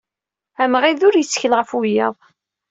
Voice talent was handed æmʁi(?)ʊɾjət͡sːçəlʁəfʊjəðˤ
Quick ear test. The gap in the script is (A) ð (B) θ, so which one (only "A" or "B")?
A